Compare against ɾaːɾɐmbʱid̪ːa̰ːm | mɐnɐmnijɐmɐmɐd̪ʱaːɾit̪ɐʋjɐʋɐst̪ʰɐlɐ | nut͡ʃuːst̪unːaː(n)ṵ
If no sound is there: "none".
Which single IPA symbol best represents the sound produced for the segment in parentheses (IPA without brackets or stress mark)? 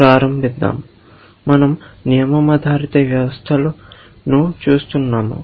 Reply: m